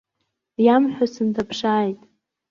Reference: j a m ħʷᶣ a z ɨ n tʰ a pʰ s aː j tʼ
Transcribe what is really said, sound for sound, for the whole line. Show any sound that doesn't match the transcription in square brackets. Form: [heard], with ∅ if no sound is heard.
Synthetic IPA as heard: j a m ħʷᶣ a [s] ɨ n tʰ a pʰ [ʂ] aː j tʼ

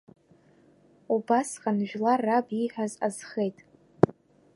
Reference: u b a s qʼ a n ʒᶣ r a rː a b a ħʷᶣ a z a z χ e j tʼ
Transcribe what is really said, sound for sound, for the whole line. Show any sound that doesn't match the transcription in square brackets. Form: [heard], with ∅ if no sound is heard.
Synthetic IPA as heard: u b a s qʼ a n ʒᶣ [l] a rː a b [i] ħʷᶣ a z a z χ e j tʼ

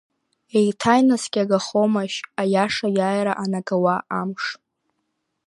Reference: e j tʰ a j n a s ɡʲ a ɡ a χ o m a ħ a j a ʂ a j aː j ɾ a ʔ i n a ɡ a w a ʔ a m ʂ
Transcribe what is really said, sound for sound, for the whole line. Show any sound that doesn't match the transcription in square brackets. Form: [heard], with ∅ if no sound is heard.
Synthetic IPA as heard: e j tʰ a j n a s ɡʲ a ɡ a χ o m a [ʃ] a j a ʂ a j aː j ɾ a ʔ [a] n a ɡ a w a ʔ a m ʂ

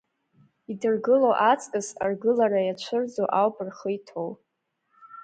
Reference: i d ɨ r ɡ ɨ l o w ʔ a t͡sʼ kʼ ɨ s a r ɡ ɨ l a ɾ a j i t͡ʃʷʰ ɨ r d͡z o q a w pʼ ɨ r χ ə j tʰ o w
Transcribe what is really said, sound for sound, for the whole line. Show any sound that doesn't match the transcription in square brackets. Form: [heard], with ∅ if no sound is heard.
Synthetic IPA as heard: i d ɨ r ɡ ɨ l o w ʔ a t͡sʼ kʼ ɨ s a r ɡ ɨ l a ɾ a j [a] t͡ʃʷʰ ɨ r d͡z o [ʔ] a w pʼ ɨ r χ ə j tʰ o w

